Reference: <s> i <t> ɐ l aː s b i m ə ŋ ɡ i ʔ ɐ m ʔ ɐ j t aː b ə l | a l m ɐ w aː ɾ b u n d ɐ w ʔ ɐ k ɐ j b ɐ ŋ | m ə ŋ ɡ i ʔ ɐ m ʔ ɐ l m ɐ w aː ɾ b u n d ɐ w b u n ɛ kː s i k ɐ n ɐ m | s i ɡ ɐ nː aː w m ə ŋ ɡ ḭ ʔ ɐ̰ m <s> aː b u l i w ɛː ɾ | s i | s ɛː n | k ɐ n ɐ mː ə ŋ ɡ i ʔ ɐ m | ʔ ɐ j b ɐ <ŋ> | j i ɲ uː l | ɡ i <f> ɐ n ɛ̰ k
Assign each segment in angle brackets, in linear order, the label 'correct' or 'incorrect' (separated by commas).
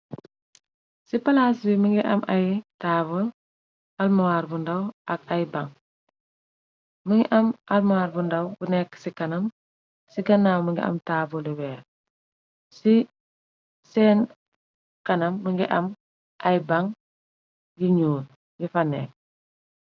correct, incorrect, incorrect, correct, correct